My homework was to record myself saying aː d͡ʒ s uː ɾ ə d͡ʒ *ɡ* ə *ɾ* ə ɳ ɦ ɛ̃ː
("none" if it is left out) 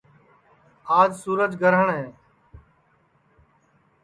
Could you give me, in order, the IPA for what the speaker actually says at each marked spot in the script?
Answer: ɡ, ɾ

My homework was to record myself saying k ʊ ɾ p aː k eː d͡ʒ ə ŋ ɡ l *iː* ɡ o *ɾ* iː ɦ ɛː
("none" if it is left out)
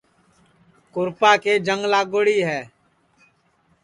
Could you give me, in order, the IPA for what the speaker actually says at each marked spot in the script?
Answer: aː, ɽ

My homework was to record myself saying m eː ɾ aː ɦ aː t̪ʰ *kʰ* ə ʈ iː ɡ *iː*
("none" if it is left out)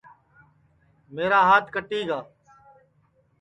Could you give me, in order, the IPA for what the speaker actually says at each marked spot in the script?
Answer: k, aː

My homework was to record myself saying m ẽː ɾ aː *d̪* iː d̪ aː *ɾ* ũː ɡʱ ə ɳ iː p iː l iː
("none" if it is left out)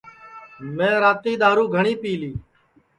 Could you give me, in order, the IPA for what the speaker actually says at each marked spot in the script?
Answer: t̪, ɾ

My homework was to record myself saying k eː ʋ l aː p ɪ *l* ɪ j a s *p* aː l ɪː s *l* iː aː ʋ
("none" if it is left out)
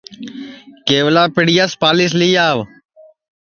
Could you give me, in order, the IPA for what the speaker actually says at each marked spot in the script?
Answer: ɽ, p, l

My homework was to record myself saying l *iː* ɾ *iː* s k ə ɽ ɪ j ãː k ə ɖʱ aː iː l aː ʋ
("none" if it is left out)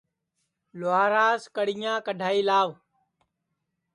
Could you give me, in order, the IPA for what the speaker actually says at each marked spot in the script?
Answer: aː, aː

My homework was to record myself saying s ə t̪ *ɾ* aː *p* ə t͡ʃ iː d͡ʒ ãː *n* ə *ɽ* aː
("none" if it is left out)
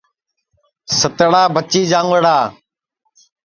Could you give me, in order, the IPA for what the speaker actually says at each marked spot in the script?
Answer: ɽ, b, ŋ, ɽ

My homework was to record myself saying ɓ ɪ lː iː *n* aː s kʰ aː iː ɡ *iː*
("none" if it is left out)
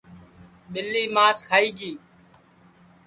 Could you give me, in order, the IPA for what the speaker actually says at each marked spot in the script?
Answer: m, iː

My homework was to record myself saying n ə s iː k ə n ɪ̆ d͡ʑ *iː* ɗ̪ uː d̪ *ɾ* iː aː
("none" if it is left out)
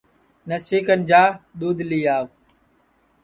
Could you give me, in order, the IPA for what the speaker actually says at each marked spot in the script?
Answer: aː, l

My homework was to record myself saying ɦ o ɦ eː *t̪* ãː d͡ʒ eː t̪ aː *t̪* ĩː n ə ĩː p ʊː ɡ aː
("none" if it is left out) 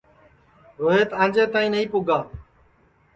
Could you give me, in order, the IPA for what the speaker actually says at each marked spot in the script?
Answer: t̪, none

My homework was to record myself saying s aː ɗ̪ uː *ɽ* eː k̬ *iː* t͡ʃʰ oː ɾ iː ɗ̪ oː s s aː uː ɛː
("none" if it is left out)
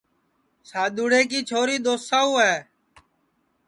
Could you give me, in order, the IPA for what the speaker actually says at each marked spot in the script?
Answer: ɽ, iː

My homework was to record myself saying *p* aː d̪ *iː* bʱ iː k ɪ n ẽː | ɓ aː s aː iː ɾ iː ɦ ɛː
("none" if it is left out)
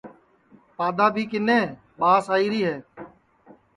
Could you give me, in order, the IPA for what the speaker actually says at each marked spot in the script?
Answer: p, aː

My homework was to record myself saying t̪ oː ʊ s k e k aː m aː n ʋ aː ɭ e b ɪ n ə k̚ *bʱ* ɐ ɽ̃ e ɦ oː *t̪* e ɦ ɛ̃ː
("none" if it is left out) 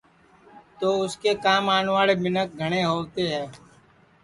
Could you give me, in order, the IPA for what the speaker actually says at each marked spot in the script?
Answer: ɡʱ, t̪

